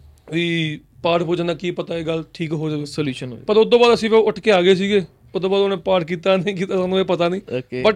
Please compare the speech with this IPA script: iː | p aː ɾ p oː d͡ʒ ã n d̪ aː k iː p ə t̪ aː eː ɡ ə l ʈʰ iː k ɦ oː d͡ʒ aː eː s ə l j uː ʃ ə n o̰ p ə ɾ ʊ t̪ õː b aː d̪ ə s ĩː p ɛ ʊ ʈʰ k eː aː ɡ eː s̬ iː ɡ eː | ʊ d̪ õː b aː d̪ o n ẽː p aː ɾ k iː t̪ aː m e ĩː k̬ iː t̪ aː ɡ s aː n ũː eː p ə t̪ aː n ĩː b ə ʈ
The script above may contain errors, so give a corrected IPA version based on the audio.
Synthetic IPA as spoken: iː | p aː ɾ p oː d͡ʒ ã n d̪ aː k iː p ə t̪ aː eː ɡ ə l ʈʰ iː k ɦ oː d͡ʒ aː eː s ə l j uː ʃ ə n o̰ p ə ɾ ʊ d̪ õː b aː d̪ ə s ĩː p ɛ ʊ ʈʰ k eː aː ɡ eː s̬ iː ɡ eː | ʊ d̪ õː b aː d̪ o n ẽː p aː ɾ k iː t̪ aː n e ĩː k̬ iː t̪ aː s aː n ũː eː p ə t̪ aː n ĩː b ə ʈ